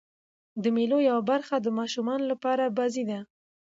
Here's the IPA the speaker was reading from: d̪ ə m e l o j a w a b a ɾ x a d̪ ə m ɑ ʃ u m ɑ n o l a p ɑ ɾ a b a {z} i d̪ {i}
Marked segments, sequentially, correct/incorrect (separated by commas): correct, incorrect